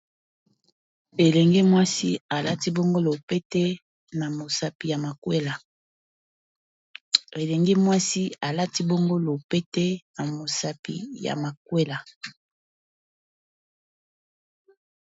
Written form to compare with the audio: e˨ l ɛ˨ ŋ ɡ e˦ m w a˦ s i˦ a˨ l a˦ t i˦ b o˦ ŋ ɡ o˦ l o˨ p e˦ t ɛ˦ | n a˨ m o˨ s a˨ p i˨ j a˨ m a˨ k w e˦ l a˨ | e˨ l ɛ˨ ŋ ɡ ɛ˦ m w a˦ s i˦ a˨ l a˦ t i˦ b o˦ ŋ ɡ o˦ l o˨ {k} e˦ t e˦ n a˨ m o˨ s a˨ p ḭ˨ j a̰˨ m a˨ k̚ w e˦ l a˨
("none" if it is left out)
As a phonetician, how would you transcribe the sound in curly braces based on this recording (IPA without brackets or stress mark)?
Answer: p